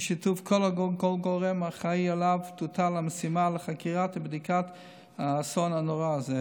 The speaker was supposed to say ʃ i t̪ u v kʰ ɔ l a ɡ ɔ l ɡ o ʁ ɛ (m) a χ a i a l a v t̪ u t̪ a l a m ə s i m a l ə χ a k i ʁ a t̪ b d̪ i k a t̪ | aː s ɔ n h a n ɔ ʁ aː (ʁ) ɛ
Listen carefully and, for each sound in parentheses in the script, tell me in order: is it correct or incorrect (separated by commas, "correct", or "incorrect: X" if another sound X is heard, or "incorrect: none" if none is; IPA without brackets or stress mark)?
correct, incorrect: z